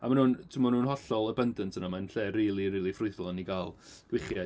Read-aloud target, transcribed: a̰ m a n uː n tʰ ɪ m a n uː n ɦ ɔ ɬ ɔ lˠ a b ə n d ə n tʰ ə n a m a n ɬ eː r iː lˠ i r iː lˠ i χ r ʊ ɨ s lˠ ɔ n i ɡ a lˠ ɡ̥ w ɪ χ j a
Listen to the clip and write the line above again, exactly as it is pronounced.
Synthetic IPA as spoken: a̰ m a n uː n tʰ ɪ m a n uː n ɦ ɔ ɬ ɔ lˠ ə b ə n d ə n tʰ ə n a m a n ɬ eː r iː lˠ i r iː lˠ i f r ʊ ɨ θ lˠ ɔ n i ɡ a lˠ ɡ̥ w ɪ χ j a